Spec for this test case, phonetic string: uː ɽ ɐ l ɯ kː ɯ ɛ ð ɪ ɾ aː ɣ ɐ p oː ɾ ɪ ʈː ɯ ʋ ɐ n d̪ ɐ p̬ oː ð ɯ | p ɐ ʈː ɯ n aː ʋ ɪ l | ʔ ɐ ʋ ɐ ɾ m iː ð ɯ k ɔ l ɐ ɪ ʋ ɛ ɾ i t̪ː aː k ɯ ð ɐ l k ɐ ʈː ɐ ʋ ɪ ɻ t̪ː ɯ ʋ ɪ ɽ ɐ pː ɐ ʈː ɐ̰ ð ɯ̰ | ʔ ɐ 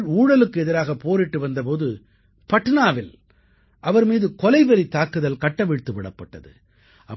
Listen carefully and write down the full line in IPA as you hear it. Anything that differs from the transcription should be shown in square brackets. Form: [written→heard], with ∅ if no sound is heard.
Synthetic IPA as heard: uː ɽ ɐ l ɯ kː ɯ ɛ ð ɪ ɾ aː ɣ ɐ p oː ɾ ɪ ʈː ɯ ʋ ɐ n d̪ ɐ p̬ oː ð ɯ | p ɐ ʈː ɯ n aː ʋ ɪ l | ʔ ɐ ʋ ɐ ɾ m iː ð ɯ k ɔ l ɐ ɪ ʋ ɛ ɾ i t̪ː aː k ɯ ð ɐ l k ɐ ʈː ɐ ʋ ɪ ɻ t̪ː ɯ ʋ ɪ ɽ ɐ pː ɐ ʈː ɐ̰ ð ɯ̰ | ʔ ɐ

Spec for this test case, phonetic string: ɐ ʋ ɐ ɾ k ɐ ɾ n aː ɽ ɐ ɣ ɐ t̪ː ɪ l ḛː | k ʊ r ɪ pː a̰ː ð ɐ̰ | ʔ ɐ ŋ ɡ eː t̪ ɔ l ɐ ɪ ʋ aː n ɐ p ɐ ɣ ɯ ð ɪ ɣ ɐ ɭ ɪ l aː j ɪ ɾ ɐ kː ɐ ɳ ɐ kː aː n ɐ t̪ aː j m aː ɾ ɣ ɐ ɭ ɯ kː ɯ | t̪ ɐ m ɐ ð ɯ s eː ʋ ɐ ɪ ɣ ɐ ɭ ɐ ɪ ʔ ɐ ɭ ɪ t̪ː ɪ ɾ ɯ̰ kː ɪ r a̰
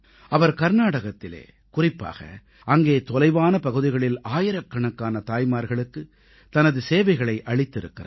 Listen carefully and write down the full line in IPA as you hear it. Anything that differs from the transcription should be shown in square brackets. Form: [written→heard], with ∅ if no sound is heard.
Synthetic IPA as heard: ɐ ʋ ɐ ɾ k ɐ ɾ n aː ɽ ɐ ɣ ɐ t̪ː ɪ l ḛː | k ʊ r ɪ pː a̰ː [ð→ɣ] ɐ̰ | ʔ ɐ ŋ ɡ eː t̪ ɔ l ɐ ɪ ʋ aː n ɐ p ɐ ɣ ɯ ð ɪ ɣ ɐ ɭ ɪ l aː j ɪ ɾ ɐ kː ɐ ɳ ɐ kː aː n ɐ t̪ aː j m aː ɾ ɣ ɐ ɭ ɯ kː ɯ | t̪ ɐ [m→n] ɐ ð ɯ s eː ʋ ɐ ɪ ɣ ɐ ɭ ɐ ɪ ʔ ɐ ɭ ɪ t̪ː ɪ ɾ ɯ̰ kː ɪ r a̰

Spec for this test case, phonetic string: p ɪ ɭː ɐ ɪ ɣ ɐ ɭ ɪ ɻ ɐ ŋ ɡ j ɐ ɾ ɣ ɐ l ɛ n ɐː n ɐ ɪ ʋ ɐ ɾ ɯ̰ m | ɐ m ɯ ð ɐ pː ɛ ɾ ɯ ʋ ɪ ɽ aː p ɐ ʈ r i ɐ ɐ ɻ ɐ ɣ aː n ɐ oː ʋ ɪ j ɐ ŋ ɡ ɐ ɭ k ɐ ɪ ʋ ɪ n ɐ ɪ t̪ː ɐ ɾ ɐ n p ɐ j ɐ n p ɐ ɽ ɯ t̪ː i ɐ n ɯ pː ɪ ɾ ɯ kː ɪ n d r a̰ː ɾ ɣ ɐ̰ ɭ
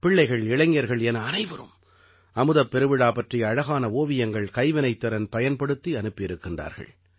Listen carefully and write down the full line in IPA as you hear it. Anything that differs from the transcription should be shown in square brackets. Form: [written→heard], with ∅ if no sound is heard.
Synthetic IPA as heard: p ɪ ɭː ɐ ɪ ɣ ɐ ɭ ɪ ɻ ɐ ŋ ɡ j ɐ ɾ ɣ ɐ [l→ɭ] ɛ n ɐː n ɐ ɪ ʋ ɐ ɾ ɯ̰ m | ɐ m ɯ ð ɐ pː ɛ ɾ ɯ ʋ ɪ ɽ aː p ɐ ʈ r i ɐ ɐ ɻ ɐ ɣ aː n ɐ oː ʋ ɪ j ɐ ŋ ɡ ɐ ɭ k ɐ ɪ ʋ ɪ n ɐ ɪ t̪ː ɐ ɾ ɐ n p ɐ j ɐ n p ɐ ɽ ɯ t̪ː i ɐ n ɯ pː ɪ ɾ ɯ kː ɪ n d r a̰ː ɾ ɣ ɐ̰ ɭ

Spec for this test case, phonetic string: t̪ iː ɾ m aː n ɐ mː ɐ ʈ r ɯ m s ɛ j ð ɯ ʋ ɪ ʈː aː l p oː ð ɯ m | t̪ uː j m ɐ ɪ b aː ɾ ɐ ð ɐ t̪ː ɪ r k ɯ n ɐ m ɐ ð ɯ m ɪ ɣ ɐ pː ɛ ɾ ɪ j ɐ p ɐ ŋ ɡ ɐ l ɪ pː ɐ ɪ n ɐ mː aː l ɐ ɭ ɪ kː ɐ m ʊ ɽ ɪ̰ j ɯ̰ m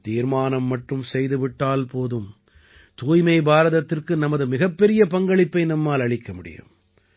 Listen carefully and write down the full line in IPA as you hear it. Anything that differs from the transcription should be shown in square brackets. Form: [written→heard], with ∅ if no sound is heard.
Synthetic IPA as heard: t̪ iː ɾ m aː n ɐ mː ɐ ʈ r ɯ m s ɛ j ð ɯ ʋ ɪ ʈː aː l p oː ð ɯ m | t̪ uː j m ɐ ɪ b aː ɾ ɐ ð ɐ t̪ː ɪ r k ɯ n ɐ m ɐ ð ɯ m ɪ ɣ ɐ pː ɛ ɾ ɪ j ɐ p ɐ ŋ ɡ ɐ [l→ɭ] ɪ pː ɐ ɪ n ɐ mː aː l ɐ ɭ ɪ kː ɐ m ʊ ɽ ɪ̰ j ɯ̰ m

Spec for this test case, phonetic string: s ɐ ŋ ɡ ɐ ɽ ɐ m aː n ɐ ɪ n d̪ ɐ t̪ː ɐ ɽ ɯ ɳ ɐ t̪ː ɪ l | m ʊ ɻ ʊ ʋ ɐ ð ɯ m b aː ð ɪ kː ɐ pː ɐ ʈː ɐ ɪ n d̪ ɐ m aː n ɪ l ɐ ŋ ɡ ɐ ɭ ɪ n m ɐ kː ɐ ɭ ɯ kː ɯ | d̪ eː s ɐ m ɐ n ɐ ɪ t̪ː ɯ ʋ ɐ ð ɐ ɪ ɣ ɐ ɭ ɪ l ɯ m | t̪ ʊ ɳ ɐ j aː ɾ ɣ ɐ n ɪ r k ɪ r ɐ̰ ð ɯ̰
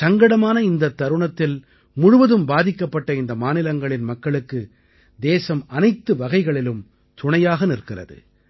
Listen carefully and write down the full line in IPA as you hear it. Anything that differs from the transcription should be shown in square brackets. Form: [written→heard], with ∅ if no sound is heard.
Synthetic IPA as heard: s ɐ ŋ ɡ ɐ ɽ ɐ m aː n ɐ ɪ n d̪ ɐ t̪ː ɐ [ɽ→ɾ] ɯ ɳ ɐ t̪ː ɪ l | m ʊ ɻ ʊ ʋ ɐ ð ɯ m b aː ð ɪ kː ɐ pː ɐ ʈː ɐ ɪ n d̪ ɐ m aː n ɪ l ɐ ŋ ɡ ɐ ɭ ɪ n m ɐ kː ɐ ɭ ɯ kː ɯ | d̪ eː s ɐ m ɐ n ɐ ɪ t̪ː ɯ ʋ ɐ [ð→ɣ] ɐ ɪ ɣ ɐ ɭ ɪ l ɯ m | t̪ ʊ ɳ ɐ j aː [ɾ→∅] ɣ ɐ n ɪ r k ɪ r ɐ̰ ð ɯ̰

